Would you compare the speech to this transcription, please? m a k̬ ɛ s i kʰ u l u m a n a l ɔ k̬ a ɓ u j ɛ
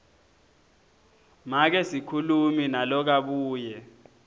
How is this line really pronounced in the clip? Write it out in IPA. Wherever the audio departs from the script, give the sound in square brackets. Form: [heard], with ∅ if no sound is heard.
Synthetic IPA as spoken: m a k̬ ɛ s i kʰ u l u m [i] n a l ɔ k̬ a ɓ [uː] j ɛ